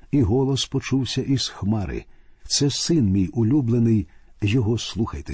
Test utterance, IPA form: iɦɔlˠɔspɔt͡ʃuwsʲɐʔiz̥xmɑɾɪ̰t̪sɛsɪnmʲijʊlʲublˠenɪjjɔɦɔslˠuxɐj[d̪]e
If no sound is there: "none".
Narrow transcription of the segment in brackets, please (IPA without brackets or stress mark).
t̪